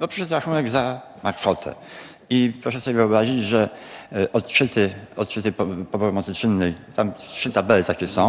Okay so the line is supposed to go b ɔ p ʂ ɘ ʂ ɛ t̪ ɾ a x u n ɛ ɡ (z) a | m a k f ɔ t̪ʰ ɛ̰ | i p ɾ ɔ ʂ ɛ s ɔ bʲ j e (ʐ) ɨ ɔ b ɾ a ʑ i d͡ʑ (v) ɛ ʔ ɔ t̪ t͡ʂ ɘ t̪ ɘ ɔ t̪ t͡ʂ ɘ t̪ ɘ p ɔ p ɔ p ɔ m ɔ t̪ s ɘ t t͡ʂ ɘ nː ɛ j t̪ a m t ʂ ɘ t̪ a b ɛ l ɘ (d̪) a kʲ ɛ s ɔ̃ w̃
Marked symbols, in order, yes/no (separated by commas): yes, no, no, no